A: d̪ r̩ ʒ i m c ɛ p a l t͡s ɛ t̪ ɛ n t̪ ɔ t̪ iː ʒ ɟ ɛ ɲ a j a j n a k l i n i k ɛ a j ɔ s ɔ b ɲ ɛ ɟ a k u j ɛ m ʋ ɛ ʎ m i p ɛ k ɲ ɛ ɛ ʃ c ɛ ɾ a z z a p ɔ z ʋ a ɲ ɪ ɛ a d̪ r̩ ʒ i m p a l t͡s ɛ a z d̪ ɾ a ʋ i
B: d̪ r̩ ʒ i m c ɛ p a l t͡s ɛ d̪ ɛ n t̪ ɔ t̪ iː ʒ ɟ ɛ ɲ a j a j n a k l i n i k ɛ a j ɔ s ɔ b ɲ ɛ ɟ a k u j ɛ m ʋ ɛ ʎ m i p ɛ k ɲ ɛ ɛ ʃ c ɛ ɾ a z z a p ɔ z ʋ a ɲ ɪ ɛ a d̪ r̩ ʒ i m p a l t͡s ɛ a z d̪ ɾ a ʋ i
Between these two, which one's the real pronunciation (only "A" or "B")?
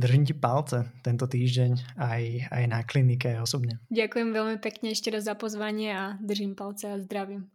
A